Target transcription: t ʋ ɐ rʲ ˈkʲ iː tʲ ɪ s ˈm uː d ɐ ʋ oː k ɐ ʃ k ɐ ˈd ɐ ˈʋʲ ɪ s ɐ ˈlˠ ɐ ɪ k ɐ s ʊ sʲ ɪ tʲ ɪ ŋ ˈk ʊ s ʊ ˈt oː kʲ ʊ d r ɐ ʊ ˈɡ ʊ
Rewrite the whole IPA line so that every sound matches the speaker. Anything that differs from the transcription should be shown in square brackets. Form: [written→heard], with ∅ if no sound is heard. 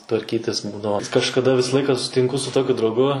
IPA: t ʋ ɐ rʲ ˈkʲ iː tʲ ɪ s [ˈm→ˈb] uː d ɐ ʋ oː k ɐ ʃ k ɐ ˈd ɐ ˈʋʲ ɪ s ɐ ˈlˠ ɐ ɪ k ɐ s ʊ sʲ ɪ tʲ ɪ ŋ ˈk ʊ s ʊ ˈt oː kʲ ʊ d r ɐ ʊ ˈɡ ʊ